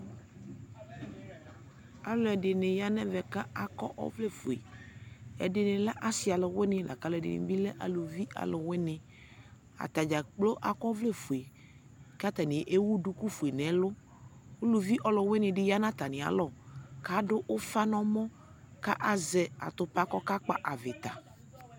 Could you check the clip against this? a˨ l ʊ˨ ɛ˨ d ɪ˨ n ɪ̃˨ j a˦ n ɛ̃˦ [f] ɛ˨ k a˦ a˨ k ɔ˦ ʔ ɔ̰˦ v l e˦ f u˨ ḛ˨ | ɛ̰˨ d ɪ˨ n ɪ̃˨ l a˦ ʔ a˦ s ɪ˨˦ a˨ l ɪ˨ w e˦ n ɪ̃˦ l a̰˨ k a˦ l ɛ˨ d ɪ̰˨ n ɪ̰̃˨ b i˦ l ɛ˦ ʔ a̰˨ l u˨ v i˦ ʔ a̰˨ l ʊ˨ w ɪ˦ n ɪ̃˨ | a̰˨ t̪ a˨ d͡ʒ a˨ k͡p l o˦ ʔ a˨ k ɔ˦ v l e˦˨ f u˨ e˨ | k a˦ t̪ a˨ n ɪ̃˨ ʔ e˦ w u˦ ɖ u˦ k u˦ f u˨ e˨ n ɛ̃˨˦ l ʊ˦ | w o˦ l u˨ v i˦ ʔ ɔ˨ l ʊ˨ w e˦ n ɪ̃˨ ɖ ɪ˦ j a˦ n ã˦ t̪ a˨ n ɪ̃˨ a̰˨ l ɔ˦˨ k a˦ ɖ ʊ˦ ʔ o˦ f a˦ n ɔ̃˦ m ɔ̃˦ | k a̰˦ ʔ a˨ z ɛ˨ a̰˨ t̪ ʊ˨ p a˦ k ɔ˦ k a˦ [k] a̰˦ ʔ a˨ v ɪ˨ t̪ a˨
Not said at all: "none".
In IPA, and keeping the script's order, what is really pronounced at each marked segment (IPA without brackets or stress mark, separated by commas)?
v, k͡p